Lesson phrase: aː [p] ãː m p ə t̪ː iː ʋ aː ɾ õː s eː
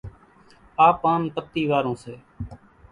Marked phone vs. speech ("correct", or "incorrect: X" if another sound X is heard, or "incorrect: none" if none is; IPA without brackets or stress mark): correct